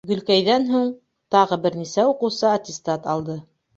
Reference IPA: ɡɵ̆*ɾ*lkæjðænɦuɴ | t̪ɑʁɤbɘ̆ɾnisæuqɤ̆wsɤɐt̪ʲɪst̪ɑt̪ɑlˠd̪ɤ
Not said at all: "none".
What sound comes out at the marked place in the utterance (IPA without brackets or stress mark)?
none